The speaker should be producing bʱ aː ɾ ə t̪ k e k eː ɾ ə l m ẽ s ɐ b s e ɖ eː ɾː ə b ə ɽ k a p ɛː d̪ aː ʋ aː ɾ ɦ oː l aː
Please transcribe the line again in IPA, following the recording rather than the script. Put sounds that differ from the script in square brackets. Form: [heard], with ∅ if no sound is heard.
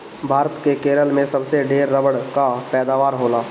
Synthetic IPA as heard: bʱ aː ɾ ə t̪ k e k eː ɾ ə l m ẽ s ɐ b s e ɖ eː ɾː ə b ə ɽ k a p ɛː d̪ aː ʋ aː ɾ ɦ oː l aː